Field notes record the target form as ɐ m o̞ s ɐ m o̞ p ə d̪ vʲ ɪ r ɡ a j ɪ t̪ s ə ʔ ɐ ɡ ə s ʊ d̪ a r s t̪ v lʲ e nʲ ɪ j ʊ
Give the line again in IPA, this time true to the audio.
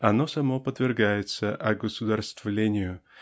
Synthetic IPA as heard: ɐ n o̞ s ɐ m o̞ p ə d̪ vʲ ɪ r ɡ a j ɪ t̪ s ə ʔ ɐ ɡ ə s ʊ d̪ a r s t̪ v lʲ e nʲ ɪ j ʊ